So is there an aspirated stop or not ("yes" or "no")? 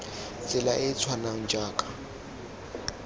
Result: yes